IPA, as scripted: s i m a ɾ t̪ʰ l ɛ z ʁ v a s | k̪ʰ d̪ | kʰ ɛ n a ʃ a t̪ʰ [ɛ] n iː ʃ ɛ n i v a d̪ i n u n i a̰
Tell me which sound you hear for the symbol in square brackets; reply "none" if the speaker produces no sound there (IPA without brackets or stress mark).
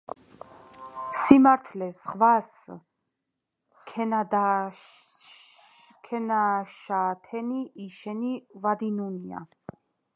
ɛ